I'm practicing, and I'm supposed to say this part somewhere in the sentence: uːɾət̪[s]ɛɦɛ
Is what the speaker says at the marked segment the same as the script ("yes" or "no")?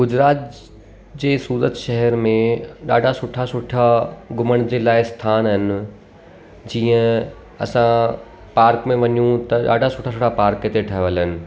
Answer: no